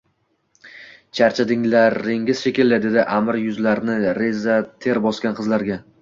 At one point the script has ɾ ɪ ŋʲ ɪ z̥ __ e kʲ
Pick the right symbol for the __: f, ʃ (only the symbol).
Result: ʃ